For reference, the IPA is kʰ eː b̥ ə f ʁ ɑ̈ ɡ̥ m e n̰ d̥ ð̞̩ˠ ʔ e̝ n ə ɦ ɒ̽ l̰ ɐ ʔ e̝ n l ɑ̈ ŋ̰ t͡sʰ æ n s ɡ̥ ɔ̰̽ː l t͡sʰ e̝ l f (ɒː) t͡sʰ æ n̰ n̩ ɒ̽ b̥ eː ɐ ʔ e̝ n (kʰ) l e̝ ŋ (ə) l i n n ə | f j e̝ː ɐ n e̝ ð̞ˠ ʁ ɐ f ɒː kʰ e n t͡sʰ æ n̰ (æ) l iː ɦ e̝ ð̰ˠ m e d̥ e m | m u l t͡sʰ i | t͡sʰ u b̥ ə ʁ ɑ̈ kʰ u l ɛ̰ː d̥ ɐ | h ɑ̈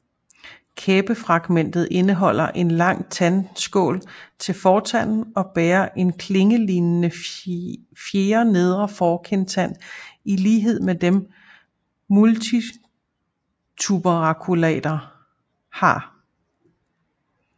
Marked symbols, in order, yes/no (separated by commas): yes, yes, yes, no